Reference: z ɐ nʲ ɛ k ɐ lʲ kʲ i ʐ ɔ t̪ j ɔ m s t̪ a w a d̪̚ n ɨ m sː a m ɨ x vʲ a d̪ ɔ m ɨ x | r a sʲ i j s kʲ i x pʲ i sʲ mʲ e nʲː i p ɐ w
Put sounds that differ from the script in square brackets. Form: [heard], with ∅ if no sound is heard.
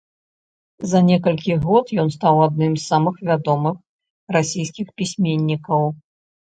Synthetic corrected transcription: z ɐ nʲ ɛ k ɐ lʲ kʲ i [ɣ] ɔ t̪ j ɔ [n] s t̪ a w a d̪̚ n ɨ m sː a m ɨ x vʲ a d̪ ɔ m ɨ x | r a sʲ i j s kʲ i x pʲ i sʲ mʲ e nʲː i [k] ɐ w